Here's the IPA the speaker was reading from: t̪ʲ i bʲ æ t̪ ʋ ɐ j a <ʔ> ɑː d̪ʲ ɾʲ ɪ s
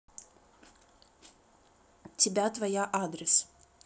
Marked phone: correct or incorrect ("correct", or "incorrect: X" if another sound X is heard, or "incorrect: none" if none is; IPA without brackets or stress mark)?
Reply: correct